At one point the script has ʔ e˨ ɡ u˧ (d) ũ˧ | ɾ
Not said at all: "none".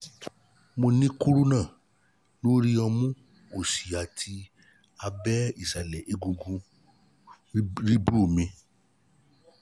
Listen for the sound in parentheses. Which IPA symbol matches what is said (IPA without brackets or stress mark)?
ɡ